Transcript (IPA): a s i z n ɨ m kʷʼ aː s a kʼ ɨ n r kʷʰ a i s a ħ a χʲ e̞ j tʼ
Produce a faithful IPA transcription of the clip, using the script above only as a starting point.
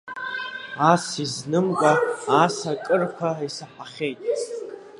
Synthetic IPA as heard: a s i z n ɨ m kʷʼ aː s a kʼ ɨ r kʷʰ a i s a ħ a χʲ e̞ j tʼ